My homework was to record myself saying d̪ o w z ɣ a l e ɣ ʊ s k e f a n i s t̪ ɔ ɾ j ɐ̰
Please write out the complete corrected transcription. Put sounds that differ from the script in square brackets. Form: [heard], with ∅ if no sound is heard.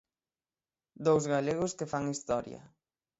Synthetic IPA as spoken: d̪ o w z ɣ a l e ɣ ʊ s k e f a [ŋ] i s t̪ ɔ ɾ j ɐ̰